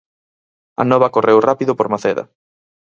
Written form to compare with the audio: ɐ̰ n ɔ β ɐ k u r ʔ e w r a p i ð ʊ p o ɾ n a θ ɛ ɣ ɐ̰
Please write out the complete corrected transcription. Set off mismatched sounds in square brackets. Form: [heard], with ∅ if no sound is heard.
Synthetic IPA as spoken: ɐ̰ n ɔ β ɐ k [o] r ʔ e w r a p i ð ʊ p o ɾ [m] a θ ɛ [ð] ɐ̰